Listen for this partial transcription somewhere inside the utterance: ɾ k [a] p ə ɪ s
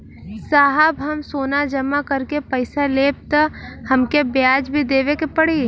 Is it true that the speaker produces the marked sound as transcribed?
no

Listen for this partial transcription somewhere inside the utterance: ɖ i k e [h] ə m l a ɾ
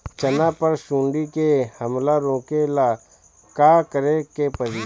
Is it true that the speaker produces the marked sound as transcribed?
yes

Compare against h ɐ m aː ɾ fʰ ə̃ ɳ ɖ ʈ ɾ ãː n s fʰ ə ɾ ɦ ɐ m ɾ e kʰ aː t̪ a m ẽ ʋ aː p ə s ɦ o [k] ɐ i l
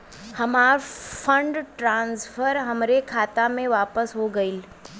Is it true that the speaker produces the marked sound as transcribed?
no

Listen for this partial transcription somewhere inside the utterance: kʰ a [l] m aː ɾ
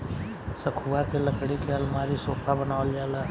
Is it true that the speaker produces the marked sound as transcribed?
yes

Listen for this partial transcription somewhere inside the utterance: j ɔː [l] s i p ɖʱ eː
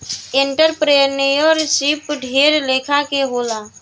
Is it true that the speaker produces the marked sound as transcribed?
no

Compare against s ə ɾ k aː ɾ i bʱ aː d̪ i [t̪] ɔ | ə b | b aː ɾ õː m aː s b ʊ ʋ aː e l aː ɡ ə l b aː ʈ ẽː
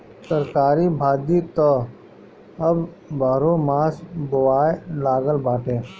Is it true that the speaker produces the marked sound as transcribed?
yes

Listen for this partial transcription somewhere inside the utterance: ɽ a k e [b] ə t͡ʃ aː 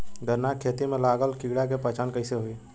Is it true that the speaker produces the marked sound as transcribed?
no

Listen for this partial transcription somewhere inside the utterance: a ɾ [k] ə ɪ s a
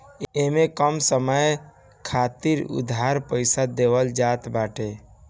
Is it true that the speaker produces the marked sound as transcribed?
no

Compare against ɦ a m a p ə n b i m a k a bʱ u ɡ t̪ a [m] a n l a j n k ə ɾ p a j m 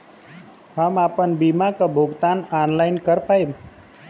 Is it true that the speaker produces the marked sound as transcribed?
no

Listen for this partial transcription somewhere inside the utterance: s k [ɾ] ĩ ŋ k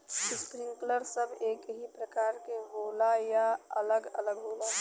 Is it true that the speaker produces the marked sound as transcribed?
yes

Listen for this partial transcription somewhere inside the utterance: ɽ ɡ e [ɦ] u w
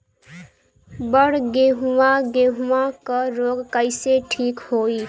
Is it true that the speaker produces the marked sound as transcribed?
yes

